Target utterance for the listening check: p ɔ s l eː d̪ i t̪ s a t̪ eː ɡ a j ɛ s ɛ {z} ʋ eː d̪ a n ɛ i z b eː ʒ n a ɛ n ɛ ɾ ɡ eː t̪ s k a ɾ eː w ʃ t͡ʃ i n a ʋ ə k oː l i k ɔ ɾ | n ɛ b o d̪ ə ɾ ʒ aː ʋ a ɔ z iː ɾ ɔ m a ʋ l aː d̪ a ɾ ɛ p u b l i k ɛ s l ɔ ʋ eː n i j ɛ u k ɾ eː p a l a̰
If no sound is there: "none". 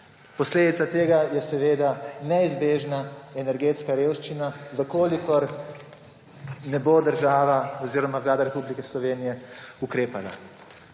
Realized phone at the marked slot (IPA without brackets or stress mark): none